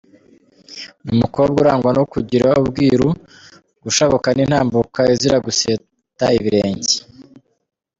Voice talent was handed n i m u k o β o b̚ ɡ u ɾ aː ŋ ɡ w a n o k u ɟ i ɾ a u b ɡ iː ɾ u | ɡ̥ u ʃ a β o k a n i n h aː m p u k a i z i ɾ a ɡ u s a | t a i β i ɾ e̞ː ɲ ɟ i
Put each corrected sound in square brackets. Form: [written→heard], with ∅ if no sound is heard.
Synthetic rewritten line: n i m u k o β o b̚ ɡ u ɾ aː ŋ ɡ w a n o k u ɟ i ɾ a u b ɡ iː ɾ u | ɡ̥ u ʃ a β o k a n i n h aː m [p→b] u k a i z i ɾ a ɡ u s [a→e] | t a i β i ɾ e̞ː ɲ ɟ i